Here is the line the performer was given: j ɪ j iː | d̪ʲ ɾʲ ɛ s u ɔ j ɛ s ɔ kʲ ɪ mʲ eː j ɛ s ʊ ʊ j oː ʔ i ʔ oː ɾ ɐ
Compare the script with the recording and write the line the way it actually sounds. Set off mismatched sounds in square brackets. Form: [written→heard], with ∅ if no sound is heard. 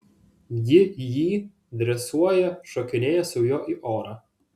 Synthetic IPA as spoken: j ɪ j iː | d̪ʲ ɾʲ ɛ s u ɔ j ɛ [s→ʃ] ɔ kʲ ɪ [mʲ→nʲ] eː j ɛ s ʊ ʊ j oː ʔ i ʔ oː ɾ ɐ

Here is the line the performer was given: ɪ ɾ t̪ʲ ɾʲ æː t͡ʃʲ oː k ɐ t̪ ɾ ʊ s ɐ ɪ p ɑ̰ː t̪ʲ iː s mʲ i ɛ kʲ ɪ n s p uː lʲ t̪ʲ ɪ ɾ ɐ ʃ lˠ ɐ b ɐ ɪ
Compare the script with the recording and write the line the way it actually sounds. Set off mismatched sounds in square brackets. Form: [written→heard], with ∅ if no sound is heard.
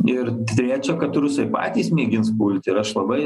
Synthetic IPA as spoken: ɪ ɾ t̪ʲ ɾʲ æː t͡ʃʲ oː k ɐ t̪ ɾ ʊ s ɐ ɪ p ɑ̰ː t̪ʲ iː s mʲ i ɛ [kʲ→ɡʲ] ɪ n s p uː lʲ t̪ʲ ɪ ɾ ɐ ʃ lˠ ɐ b ɐ ɪ

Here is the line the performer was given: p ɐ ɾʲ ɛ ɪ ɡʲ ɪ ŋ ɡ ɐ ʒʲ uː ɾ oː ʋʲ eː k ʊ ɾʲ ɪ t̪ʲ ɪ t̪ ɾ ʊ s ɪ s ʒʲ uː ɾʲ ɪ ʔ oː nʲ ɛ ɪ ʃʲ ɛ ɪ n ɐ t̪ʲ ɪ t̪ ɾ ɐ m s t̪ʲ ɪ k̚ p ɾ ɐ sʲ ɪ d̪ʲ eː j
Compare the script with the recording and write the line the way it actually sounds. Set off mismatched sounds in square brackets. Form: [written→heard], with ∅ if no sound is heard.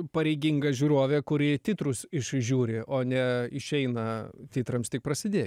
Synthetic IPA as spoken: p ɐ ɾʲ ɛ ɪ ɡʲ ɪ ŋ ɡ ɐ ʒʲ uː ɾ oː ʋʲ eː k ʊ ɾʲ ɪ t̪ʲ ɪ t̪ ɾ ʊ s ɪ [s→ʃ] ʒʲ uː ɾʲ ɪ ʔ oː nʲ ɛ ɪ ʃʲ ɛ ɪ n ɐ t̪ʲ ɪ t̪ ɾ ɐ m s t̪ʲ ɪ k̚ p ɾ ɐ sʲ ɪ d̪ʲ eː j

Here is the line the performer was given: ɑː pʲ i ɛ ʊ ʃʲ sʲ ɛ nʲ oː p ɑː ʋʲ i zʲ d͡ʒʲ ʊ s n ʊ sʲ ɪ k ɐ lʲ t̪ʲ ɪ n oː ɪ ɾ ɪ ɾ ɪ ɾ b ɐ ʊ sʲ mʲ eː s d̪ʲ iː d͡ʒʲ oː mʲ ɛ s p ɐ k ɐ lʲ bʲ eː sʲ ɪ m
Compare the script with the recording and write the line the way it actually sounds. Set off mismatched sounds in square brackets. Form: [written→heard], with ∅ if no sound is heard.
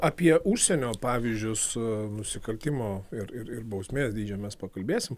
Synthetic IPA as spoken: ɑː pʲ i ɛ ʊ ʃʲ sʲ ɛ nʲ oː p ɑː ʋʲ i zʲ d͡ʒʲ ʊ s n ʊ sʲ ɪ k ɐ lʲ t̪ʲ ɪ [n→m] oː ɪ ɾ ɪ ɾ ɪ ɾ b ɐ ʊ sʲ mʲ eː s d̪ʲ iː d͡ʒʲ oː mʲ ɛ s p ɐ k ɐ lʲ bʲ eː sʲ ɪ m

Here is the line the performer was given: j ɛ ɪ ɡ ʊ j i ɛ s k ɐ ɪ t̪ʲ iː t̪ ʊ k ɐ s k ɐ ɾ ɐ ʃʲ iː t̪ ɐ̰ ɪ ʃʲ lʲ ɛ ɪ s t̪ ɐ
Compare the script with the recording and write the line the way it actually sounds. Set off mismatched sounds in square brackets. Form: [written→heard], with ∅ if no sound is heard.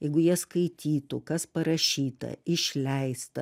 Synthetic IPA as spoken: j ɛ ɪ ɡ ʊ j i ɛ s k ɐ ɪ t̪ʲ iː t̪ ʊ k ɐ s [k→p] ɐ ɾ ɐ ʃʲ iː t̪ ɐ̰ ɪ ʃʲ lʲ ɛ ɪ s t̪ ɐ

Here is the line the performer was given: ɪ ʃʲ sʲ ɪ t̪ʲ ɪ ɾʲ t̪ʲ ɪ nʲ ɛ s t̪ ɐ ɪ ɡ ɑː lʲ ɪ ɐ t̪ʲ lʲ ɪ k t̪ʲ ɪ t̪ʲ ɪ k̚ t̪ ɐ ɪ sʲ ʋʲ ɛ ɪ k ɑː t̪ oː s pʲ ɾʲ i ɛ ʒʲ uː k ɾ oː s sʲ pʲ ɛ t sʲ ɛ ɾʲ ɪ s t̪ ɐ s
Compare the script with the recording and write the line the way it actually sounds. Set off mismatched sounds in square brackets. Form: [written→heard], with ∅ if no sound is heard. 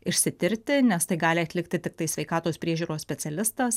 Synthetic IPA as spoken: ɪ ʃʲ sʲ ɪ t̪ʲ ɪ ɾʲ t̪ʲ ɪ nʲ ɛ s t̪ ɐ ɪ ɡ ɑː lʲ ɪ ɐ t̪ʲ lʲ ɪ k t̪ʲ ɪ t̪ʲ ɪ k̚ t̪ ɐ ɪ sʲ ʋʲ ɛ ɪ k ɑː t̪ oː s pʲ ɾʲ i ɛ ʒʲ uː [k→∅] ɾ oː s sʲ pʲ ɛ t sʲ ɛ [ɾʲ→lʲ] ɪ s t̪ ɐ s

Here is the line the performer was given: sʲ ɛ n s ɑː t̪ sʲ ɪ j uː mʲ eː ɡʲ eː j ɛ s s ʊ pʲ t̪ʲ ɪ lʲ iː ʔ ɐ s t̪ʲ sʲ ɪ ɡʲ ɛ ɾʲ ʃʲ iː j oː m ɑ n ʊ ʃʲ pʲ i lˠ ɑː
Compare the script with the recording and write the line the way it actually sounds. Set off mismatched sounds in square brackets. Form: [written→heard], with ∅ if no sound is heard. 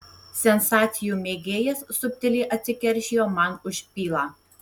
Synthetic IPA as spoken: sʲ ɛ n s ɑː t̪ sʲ ɪ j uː mʲ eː ɡʲ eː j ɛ s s ʊ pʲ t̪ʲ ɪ lʲ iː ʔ ɐ [s→∅] t̪ʲ sʲ ɪ [ɡʲ→kʲ] ɛ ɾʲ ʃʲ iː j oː m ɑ n ʊ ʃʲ pʲ [i→iː] lˠ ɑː

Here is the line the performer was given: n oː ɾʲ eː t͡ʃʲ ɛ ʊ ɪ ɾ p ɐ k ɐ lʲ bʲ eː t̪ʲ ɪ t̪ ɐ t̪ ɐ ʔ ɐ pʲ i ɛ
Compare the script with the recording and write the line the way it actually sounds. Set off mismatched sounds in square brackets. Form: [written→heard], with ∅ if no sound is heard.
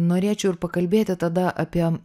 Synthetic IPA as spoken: n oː ɾʲ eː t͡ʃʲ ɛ ʊ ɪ ɾ p ɐ k ɐ lʲ bʲ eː t̪ʲ ɪ t̪ ɐ [t̪→d̪] ɐ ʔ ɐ pʲ i ɛ

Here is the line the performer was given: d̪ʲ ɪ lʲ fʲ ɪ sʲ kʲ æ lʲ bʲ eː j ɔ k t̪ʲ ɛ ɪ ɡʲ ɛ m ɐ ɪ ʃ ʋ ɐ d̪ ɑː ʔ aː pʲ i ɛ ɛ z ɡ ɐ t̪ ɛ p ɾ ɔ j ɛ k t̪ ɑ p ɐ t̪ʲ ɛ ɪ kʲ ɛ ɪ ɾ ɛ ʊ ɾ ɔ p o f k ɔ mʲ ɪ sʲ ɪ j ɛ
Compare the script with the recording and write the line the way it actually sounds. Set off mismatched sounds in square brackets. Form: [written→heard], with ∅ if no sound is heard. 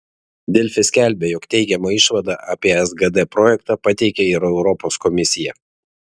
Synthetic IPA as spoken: d̪ʲ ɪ lʲ fʲ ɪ sʲ kʲ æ lʲ bʲ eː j ɔ k t̪ʲ ɛ ɪ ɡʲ ɛ m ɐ ɪ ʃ ʋ ɐ d̪ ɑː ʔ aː pʲ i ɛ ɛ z ɡ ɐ [t̪→d̪] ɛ p ɾ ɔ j ɛ k t̪ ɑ p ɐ t̪ʲ ɛ ɪ kʲ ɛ ɪ ɾ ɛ ʊ ɾ ɔ p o [f→s] k ɔ mʲ ɪ sʲ ɪ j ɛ

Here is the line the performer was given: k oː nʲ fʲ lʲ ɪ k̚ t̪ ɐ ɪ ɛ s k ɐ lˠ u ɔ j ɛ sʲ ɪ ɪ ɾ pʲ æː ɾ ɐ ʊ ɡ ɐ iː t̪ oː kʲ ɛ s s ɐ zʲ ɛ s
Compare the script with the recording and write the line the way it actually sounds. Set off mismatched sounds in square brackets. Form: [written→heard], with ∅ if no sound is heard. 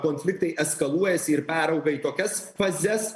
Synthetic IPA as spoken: k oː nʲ fʲ lʲ ɪ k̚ t̪ ɐ ɪ ɛ s k ɐ lˠ u ɔ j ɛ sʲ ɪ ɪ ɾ pʲ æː ɾ ɐ ʊ ɡ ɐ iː t̪ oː kʲ ɛ s [s→f] ɐ zʲ ɛ s

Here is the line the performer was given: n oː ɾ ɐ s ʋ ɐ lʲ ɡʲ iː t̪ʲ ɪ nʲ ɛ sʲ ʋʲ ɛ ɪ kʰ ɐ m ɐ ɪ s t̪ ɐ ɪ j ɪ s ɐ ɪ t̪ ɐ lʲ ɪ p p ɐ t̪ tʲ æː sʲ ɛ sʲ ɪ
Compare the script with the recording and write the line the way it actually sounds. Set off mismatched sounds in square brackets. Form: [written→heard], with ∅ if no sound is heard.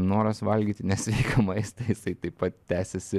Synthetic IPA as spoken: n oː ɾ ɐ s ʋ ɐ lʲ ɡʲ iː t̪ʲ ɪ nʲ ɛ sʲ ʋʲ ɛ ɪ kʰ ɐ m ɐ ɪ s t̪ ɐ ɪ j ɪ s ɐ ɪ t̪ ɐ [lʲ→∅] ɪ p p ɐ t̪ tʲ æː sʲ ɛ sʲ ɪ

